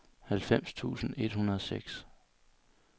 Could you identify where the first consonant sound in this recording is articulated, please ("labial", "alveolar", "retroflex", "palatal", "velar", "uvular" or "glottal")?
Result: glottal